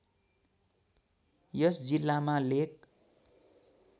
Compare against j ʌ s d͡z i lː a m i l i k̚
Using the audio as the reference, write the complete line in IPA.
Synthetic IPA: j ʌ s d͡z i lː a m a l e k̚